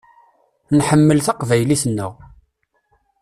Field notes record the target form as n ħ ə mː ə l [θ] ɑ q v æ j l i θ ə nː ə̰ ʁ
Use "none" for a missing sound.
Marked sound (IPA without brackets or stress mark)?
θ